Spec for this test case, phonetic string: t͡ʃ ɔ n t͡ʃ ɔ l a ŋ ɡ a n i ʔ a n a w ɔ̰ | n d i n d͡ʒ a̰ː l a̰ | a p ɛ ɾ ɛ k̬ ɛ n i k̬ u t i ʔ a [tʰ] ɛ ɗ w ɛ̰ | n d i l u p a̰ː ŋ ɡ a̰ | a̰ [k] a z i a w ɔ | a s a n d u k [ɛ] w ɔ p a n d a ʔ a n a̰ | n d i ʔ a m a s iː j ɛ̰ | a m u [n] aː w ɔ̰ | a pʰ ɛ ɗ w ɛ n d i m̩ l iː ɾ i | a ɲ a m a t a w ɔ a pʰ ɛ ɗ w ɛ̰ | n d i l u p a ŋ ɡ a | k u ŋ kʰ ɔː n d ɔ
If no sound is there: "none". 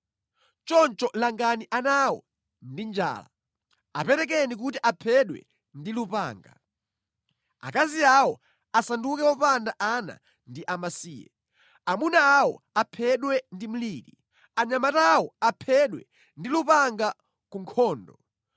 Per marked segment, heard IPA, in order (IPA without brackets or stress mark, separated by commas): pʰ, k, ɛ, n